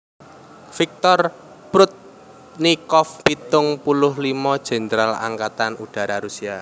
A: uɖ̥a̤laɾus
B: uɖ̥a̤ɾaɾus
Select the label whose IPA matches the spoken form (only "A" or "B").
B